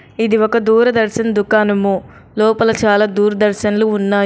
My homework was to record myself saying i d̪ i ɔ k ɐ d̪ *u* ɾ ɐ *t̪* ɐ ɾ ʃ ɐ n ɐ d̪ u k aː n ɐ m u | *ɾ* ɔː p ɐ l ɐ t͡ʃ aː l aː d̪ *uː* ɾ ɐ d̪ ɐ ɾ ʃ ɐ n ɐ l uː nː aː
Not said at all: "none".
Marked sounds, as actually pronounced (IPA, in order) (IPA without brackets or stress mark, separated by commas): uː, d̪, l, uː